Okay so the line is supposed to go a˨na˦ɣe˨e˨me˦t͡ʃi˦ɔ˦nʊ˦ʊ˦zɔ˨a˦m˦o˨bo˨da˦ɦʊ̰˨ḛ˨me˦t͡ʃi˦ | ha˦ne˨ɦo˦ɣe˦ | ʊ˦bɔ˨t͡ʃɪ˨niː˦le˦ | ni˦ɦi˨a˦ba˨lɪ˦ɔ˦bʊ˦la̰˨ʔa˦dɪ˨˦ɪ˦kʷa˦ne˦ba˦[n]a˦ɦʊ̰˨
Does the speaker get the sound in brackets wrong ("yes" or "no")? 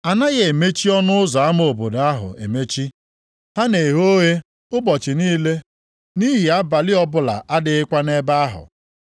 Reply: yes